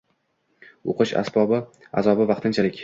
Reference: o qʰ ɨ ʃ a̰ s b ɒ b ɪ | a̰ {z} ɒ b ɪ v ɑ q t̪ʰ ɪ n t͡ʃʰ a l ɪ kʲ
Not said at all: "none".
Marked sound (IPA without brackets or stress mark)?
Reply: z